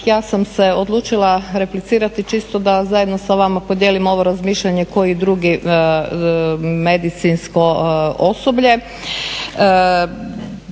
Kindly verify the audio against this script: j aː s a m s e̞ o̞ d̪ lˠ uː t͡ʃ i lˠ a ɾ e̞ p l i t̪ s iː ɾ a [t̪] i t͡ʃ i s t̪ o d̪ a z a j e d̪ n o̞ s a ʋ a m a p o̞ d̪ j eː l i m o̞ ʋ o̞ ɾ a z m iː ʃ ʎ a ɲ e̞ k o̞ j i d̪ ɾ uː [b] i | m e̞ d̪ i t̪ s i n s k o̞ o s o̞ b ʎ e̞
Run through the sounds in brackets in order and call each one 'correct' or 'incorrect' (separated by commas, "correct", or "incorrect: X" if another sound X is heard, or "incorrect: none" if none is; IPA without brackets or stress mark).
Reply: correct, incorrect: ɡ